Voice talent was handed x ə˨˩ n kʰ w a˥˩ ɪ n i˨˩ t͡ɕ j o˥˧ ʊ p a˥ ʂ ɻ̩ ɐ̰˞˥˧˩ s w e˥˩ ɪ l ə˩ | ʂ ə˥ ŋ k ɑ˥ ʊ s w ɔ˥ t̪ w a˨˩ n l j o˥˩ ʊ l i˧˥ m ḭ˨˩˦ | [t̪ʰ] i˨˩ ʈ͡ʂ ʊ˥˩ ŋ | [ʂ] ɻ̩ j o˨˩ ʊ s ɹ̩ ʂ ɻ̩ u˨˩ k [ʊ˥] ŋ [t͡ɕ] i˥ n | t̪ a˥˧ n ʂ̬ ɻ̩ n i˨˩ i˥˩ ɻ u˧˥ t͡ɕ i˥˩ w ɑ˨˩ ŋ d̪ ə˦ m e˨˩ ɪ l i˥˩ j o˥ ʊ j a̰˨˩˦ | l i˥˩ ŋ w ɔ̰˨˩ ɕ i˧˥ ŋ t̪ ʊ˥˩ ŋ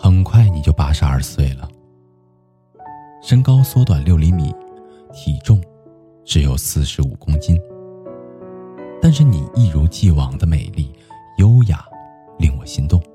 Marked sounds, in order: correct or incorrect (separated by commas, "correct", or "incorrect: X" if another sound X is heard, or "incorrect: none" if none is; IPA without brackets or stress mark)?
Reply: correct, incorrect: ʈ͡ʂ, correct, correct